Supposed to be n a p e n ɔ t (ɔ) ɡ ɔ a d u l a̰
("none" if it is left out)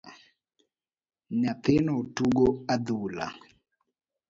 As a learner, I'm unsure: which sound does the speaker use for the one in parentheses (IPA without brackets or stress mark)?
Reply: u